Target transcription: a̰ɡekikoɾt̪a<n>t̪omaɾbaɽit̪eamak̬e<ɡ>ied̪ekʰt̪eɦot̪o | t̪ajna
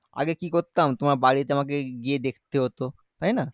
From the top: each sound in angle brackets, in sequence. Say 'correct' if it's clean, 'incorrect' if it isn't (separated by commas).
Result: incorrect, correct